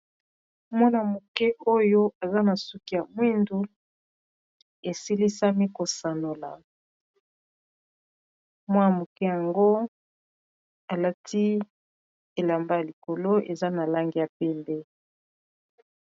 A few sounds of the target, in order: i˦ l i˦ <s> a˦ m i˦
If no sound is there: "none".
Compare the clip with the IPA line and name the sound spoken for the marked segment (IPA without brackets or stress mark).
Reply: s